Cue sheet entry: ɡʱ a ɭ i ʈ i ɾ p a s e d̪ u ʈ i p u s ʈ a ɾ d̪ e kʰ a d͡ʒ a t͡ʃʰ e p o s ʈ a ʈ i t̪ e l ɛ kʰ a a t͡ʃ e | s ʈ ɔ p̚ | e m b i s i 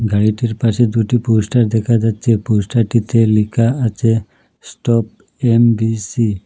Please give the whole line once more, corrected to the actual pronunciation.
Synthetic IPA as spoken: ɡʱ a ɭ i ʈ i ɾ p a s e d̪ u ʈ i p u s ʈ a ɾ d̪ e kʰ a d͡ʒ a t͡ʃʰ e p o s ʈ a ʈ i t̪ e l i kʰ a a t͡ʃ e | s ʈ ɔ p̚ | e m b i s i